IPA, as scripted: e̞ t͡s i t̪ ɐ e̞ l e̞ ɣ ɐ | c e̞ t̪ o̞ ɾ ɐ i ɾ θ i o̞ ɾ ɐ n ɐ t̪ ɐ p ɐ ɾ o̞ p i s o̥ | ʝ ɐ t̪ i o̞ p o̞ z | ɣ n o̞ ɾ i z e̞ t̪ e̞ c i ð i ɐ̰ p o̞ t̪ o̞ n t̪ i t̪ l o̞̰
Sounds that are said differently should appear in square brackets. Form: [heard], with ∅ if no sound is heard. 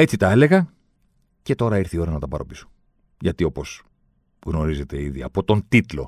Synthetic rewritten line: e̞ t͡s i t̪ ɐ e̞ l e̞ ɣ ɐ | c e̞ t̪ o̞ ɾ ɐ i ɾ θ i o̞ ɾ ɐ n ɐ t̪ ɐ p ɐ ɾ o̞ p i s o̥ | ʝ ɐ t̪ i o̞ p o̞ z | ɣ n o̞ ɾ i z e̞ t̪ e̞ [∅] i ð i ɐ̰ p o̞ t̪ o̞ n t̪ i t̪ l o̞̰